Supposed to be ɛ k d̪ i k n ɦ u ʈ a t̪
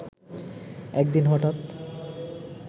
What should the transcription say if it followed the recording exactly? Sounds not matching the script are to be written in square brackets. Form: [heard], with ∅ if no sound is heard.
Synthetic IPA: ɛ k d̪ i [∅] n ɦ [ɔ] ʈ a t̪